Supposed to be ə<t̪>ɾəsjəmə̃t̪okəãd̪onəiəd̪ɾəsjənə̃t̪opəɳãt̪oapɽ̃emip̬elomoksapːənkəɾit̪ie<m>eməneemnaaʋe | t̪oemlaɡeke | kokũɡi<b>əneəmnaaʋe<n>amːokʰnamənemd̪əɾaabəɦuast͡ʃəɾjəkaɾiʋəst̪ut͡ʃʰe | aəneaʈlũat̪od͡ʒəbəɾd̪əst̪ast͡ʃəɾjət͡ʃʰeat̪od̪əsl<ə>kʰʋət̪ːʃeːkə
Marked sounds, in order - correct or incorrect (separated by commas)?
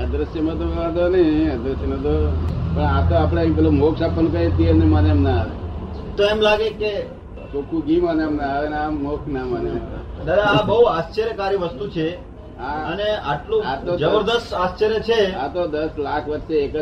incorrect, incorrect, incorrect, correct, incorrect